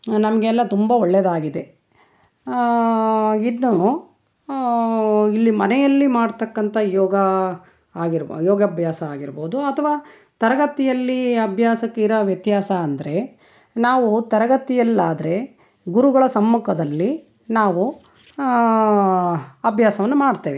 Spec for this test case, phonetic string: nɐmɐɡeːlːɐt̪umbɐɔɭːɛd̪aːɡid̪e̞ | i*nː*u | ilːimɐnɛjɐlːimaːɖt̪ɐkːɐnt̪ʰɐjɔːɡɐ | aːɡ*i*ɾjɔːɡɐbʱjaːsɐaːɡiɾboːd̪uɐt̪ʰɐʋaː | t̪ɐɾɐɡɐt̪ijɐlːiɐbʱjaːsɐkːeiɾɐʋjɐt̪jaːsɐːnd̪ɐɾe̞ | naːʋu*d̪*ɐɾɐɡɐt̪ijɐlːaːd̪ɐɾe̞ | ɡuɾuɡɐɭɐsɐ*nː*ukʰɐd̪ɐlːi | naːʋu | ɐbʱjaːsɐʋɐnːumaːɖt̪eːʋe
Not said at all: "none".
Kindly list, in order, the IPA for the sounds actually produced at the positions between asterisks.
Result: nː, i, t̪, mː

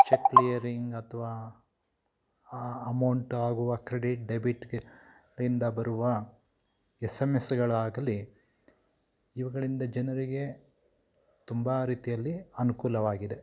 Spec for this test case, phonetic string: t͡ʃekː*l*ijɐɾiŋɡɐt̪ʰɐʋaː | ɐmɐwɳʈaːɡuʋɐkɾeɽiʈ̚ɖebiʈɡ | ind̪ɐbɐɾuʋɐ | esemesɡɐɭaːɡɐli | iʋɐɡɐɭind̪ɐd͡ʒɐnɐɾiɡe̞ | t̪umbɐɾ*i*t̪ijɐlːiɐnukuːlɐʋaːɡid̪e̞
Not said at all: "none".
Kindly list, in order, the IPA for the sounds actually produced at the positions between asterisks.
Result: l, iː

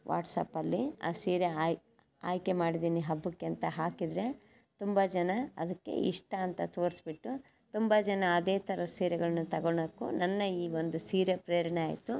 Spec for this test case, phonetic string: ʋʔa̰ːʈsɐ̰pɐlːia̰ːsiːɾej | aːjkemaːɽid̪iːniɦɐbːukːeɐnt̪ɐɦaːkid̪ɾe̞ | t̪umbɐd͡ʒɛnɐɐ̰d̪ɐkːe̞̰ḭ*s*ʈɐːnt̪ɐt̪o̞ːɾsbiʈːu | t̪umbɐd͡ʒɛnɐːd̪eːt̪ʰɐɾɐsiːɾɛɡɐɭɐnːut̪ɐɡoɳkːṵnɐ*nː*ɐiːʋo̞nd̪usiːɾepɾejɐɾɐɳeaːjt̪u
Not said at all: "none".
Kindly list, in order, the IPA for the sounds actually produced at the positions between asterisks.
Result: ʂ, nː

